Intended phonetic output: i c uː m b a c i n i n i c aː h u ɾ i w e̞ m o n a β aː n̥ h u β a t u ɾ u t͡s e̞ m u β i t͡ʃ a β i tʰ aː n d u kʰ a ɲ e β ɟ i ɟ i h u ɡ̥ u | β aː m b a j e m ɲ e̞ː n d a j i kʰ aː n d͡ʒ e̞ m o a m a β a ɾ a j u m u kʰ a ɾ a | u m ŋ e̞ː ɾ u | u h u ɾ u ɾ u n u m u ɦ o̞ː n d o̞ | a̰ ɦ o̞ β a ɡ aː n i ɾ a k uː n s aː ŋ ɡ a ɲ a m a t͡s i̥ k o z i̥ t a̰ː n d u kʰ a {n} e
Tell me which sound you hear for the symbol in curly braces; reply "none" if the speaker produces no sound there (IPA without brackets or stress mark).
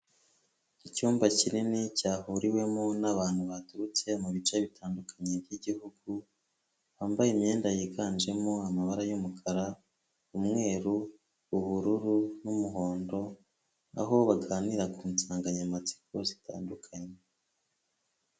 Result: ɲ